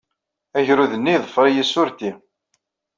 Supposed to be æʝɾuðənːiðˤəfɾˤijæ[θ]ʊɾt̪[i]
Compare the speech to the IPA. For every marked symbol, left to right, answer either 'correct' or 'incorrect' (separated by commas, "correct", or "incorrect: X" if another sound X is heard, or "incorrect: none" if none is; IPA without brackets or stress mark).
incorrect: s, correct